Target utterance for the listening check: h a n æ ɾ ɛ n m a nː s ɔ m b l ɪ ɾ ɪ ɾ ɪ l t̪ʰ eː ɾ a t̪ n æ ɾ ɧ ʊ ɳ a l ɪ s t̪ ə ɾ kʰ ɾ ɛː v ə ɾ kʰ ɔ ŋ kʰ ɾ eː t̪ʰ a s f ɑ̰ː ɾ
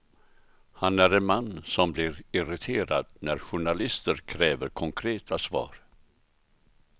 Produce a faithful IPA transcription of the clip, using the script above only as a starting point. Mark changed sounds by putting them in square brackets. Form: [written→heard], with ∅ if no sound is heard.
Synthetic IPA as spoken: h a n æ ɾ ɛ n m a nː s ɔ m b l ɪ ɾ ɪ ɾ ɪ [l→∅] t̪ʰ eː ɾ a [t̪→d̪] n æ ɾ ɧ ʊ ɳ a l ɪ s t̪ ə ɾ kʰ ɾ ɛː v ə ɾ kʰ ɔ ŋ kʰ ɾ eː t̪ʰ a s [f→v] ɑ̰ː ɾ